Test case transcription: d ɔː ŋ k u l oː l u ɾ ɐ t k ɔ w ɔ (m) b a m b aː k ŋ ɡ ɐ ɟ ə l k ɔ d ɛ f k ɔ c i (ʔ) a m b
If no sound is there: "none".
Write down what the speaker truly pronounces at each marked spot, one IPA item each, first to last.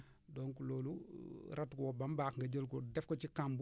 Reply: none, k

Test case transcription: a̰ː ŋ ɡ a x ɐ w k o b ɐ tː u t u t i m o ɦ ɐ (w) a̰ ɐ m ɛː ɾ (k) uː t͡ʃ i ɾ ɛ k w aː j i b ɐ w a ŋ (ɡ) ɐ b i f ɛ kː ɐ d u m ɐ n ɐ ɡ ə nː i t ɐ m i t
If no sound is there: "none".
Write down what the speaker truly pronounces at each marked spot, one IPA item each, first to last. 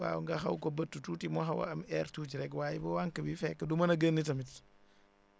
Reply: w, t, k

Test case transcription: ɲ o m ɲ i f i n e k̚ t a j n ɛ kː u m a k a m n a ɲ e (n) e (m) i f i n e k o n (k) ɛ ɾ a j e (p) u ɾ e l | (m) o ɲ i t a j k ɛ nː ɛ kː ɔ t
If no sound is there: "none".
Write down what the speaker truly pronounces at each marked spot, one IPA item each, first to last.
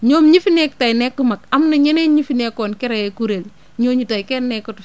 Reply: n, ɲ, k, k, ɲ

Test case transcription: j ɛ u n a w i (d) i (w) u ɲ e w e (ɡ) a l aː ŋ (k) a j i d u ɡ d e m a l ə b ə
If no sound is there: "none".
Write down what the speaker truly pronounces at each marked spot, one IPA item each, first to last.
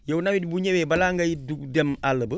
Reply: d, b, b, ɡ

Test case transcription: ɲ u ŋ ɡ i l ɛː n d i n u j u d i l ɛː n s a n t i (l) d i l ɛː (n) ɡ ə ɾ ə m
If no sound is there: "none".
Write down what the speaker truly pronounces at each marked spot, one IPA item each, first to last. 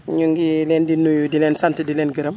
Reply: none, n

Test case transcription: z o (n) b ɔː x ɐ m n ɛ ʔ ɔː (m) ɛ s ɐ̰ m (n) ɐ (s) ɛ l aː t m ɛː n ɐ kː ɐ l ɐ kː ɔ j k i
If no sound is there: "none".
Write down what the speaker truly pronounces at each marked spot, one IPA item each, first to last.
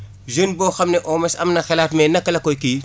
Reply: n, m, n, x

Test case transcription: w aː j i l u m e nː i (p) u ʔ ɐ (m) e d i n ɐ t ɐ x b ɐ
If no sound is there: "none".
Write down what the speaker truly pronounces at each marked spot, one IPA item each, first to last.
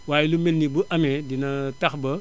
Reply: b, m

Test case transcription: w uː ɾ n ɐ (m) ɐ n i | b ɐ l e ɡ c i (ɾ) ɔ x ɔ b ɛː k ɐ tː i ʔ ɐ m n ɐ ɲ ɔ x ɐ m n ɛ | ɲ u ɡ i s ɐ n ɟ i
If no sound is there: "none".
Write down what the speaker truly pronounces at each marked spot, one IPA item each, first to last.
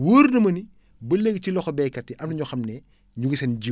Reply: m, l

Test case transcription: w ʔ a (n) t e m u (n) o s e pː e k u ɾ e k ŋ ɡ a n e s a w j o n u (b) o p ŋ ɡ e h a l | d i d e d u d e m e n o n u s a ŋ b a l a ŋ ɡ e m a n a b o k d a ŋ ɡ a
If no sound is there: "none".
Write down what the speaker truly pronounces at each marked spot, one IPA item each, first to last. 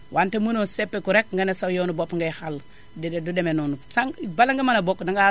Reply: n, n, b

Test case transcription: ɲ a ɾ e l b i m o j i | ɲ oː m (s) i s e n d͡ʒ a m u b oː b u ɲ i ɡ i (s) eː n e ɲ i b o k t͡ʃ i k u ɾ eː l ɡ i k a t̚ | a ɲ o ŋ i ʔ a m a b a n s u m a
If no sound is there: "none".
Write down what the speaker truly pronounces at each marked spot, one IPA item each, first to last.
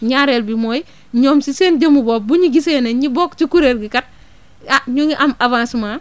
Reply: s, s

